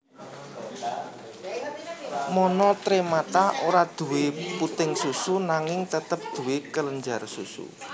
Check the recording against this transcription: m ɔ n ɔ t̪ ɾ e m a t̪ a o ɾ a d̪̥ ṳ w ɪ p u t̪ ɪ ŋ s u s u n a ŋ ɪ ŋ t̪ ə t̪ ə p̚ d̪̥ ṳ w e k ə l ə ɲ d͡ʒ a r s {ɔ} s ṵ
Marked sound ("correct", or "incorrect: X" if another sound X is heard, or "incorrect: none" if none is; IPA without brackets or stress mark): incorrect: u